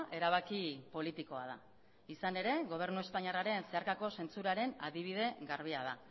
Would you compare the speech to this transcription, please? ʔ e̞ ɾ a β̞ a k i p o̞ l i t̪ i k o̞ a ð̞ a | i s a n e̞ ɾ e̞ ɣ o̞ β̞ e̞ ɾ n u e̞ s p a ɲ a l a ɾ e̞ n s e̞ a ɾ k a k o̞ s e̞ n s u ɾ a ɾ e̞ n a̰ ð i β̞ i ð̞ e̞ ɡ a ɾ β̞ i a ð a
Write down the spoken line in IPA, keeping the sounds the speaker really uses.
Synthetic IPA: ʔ e̞ ɾ a β̞ a k i p o̞ l i t̪ i k o̞ a ð̞ a | i s a n e̞ ɾ e̞ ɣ o̞ β̞ e̞ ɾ n u e̞ s p a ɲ a r a ɾ e̞ n s e̞ a ɾ k a k o̞ s e̞ n t͡s u ɾ a ɾ e̞ n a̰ ð i β̞ i ð̞ e̞ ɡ a ɾ β̞ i a ð a